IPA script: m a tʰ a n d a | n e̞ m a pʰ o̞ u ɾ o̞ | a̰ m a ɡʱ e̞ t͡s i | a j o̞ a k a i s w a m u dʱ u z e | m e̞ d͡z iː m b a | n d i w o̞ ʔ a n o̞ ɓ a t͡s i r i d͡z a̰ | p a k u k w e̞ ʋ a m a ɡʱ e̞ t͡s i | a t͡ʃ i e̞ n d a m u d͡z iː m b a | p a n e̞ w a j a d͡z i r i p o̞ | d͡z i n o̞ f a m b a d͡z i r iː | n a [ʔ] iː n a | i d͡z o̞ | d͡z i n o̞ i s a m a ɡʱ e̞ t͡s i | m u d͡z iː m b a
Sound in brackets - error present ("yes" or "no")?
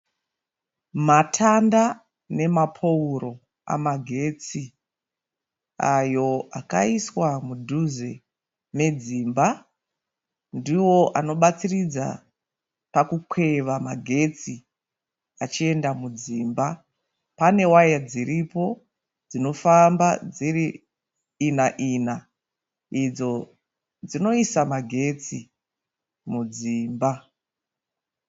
no